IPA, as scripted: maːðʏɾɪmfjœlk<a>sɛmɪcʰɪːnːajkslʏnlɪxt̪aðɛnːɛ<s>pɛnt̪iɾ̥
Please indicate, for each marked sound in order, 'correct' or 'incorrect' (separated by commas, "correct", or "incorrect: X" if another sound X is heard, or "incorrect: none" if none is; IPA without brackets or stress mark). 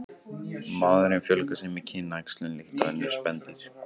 correct, correct